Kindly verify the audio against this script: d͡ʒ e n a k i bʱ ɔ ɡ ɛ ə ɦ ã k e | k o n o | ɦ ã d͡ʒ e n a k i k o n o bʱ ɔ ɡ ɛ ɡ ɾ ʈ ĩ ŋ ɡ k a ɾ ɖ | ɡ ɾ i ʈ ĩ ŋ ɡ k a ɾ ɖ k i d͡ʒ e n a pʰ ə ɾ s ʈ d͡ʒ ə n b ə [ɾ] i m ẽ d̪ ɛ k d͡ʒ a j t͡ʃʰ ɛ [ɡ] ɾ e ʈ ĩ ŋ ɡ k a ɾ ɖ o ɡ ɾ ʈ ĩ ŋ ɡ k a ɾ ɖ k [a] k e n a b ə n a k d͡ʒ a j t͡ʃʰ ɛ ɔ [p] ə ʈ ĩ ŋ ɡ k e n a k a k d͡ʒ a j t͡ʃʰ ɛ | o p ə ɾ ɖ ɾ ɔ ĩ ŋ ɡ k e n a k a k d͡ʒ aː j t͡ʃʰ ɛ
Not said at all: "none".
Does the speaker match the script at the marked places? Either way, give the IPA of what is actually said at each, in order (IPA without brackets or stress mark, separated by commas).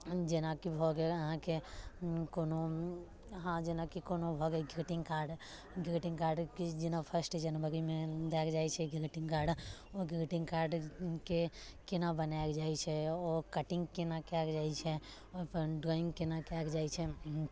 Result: ɾ, ɡ, e, k